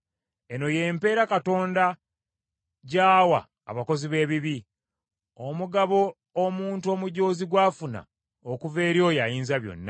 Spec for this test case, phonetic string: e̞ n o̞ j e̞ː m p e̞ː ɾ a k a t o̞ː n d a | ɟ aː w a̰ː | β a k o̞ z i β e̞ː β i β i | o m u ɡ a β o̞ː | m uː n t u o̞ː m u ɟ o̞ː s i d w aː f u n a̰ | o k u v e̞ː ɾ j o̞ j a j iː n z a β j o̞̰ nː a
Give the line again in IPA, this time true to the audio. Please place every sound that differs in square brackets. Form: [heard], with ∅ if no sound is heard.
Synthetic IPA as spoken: e̞ n o̞ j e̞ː m p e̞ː ɾ a k a t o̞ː n d a | ɟ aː w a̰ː | β a k o̞ z i β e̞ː β i β i | o m u ɡ a β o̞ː | m uː n t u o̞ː m u ɟ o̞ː [z] i [ɡ] w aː f u n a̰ | o k u v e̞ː ɾ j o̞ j a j iː n z a β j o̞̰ nː a